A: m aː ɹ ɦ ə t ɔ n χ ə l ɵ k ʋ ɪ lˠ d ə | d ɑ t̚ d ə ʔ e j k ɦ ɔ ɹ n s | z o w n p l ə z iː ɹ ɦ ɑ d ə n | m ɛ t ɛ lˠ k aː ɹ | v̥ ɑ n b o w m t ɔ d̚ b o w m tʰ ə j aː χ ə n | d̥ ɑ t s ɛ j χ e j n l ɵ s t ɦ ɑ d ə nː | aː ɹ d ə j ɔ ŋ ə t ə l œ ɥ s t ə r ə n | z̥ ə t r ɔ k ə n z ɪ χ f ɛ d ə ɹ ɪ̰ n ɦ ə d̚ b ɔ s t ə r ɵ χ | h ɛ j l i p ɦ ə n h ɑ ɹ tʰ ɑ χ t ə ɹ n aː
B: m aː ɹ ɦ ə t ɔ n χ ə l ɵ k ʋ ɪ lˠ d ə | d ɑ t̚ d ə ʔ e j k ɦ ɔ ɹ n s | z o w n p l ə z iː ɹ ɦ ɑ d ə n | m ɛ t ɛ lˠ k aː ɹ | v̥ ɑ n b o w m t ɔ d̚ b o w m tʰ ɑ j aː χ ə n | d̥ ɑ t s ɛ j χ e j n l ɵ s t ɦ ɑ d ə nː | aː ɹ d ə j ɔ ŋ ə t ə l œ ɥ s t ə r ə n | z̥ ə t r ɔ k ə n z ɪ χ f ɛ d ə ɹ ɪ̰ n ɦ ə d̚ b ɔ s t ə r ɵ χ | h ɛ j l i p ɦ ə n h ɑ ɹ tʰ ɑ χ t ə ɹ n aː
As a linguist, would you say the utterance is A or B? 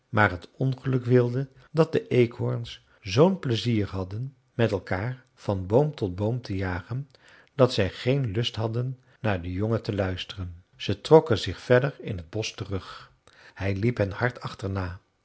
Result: A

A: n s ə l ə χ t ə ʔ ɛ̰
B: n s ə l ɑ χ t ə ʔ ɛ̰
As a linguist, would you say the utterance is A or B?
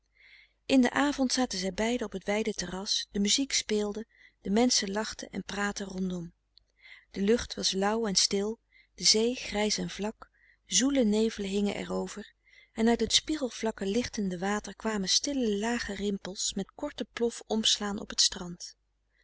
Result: B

